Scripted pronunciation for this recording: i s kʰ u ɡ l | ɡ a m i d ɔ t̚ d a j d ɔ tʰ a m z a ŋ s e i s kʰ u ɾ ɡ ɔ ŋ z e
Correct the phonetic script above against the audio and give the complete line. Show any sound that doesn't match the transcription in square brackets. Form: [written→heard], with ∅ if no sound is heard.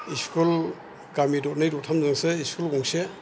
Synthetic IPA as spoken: i s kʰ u [ɡ→∅] l | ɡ a m i d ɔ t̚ [d→n] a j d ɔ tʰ a m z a ŋ s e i s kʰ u [ɾ→l] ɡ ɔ ŋ [z→s] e